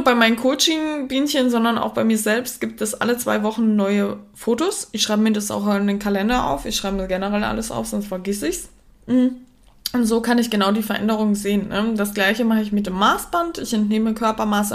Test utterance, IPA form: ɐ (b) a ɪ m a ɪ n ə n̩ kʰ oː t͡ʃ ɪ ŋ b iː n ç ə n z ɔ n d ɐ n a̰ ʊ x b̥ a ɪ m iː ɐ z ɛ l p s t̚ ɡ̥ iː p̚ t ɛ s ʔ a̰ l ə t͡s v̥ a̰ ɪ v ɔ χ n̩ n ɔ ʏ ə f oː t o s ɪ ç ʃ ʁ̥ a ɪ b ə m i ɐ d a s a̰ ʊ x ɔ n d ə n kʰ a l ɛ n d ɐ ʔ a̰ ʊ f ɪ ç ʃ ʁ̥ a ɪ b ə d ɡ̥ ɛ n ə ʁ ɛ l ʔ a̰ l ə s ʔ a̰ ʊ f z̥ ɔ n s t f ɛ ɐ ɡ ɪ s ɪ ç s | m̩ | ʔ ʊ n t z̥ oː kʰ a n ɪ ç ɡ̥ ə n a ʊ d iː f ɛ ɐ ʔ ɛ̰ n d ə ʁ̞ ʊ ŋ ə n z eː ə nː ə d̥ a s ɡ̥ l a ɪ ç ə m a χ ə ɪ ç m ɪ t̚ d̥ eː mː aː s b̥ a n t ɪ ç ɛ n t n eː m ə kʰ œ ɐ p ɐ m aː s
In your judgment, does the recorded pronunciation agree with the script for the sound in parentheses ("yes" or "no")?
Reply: yes